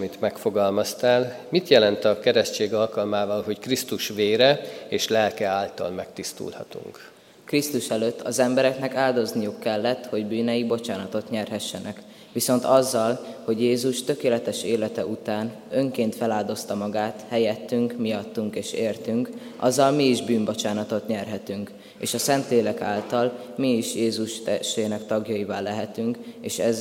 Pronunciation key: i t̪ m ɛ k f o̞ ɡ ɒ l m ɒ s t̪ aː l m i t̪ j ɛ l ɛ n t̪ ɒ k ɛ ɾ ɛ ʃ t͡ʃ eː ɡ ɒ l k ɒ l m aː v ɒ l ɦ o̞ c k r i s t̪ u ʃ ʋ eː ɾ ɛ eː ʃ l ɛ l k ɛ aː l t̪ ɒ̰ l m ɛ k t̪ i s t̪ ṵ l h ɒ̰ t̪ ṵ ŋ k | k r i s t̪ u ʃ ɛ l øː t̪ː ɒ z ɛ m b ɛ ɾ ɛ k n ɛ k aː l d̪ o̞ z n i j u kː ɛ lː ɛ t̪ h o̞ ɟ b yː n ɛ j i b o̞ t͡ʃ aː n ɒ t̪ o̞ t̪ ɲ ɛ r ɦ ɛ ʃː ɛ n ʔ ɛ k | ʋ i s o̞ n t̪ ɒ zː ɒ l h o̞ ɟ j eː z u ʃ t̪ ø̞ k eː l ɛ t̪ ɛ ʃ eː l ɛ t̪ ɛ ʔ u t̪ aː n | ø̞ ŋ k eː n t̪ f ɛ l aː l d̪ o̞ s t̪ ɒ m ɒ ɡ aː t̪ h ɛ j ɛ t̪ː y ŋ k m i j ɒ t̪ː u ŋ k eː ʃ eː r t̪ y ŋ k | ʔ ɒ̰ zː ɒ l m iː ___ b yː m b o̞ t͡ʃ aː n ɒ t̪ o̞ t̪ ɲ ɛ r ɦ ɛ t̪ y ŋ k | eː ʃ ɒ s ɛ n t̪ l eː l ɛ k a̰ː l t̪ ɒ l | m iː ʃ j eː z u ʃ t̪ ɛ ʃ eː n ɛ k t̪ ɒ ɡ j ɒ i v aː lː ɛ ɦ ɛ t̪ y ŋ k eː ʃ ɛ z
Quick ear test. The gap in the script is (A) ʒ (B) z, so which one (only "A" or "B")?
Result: A